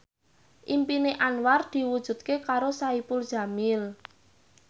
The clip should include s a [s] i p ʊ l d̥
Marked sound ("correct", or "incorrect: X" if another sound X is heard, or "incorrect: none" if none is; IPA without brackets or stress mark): incorrect: none